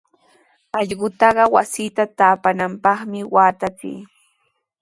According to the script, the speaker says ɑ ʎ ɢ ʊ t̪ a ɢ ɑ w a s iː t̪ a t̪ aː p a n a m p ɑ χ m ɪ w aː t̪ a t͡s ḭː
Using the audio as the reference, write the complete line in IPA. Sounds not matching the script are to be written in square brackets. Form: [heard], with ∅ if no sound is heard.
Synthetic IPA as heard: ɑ ʎ ɢ ʊ t̪ [ɑ] ɢ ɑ w a s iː t̪ a t̪ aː p a n a m p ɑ χ m ɪ w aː t̪ a t͡s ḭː